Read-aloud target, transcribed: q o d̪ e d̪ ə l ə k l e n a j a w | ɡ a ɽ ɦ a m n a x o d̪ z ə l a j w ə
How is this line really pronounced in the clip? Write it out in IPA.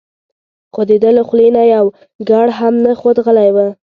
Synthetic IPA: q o d̪ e d̪ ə l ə x l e n a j a w | ɡ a ɽ ɦ a m n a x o d̪ ɣ ə l a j w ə